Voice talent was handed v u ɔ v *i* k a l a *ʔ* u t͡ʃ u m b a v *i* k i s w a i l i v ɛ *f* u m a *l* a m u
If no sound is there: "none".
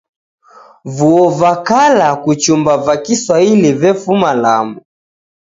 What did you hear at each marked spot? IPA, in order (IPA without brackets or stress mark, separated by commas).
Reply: a, k, a, f, l